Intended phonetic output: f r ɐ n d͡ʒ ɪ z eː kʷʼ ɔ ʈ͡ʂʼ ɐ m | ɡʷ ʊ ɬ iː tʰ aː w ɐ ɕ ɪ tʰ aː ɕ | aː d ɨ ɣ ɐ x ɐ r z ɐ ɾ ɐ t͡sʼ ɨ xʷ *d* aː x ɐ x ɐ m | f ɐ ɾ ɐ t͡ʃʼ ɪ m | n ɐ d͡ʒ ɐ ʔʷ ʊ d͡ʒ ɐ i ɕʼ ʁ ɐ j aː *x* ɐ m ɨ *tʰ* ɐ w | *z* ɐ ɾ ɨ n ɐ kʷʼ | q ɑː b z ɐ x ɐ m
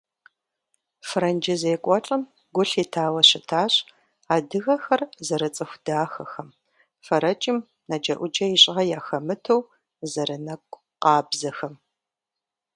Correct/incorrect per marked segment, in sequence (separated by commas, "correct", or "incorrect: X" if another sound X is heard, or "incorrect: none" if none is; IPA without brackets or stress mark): correct, correct, correct, correct